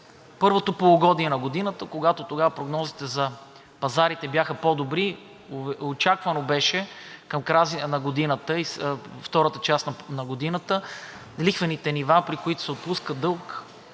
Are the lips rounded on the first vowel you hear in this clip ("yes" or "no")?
no